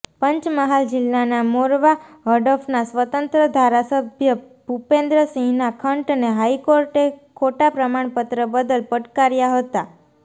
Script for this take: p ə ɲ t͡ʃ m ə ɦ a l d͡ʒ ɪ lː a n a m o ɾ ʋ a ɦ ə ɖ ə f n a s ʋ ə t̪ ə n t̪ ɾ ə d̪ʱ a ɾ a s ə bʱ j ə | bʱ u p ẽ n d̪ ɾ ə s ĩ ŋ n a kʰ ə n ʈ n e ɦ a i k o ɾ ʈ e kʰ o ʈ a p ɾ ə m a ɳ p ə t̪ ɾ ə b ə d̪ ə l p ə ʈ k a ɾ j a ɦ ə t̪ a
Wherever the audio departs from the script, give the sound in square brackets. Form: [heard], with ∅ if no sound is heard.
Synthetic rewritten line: p ə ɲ t͡ʃ m ə ɦ a l d͡ʒ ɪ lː a n a m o ɾ ʋ a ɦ ə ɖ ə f n a s ʋ ə t̪ ə n t̪ ɾ ə d̪ʱ a ɾ a s ə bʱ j ə | bʱ u p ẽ n d̪ ɾ ə s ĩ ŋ n a kʰ ə [ɳ] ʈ n e ɦ a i k o ɾ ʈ e kʰ o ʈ a p ɾ ə m a ɳ p ə t̪ ɾ ə b ə d̪ ə l p ə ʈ k a ɾ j a ɦ ə t̪ a